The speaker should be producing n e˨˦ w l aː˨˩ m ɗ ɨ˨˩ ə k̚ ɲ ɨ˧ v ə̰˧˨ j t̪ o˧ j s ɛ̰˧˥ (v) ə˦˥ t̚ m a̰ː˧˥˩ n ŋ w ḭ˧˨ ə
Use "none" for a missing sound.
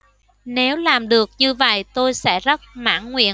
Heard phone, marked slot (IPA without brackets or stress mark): z